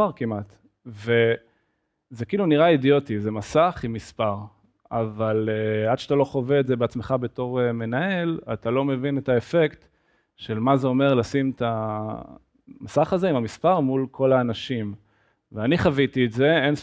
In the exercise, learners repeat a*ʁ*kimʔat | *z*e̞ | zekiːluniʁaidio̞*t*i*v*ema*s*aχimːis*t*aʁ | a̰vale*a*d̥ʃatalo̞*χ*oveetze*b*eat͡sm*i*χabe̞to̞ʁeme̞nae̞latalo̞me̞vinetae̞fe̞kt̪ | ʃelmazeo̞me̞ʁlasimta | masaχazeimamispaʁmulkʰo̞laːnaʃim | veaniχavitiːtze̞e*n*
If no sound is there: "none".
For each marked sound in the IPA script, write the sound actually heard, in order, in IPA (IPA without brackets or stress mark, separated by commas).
ʁ, v, t, z, s, p, a, χ, b, e, n